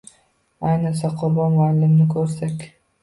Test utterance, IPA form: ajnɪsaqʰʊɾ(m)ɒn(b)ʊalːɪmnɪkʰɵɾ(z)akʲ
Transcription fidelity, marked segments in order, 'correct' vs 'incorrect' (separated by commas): incorrect, incorrect, incorrect